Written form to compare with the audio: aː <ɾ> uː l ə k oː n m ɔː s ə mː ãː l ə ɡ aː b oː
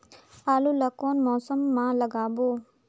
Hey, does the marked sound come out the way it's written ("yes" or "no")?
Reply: no